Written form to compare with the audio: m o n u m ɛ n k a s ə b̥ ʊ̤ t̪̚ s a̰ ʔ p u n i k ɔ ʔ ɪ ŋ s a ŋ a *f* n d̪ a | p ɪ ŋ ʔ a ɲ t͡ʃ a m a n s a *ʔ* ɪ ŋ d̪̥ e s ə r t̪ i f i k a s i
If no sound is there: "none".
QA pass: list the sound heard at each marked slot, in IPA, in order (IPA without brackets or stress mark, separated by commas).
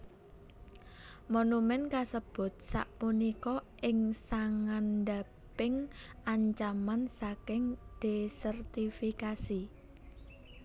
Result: none, k